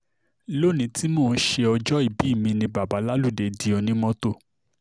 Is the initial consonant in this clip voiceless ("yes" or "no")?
no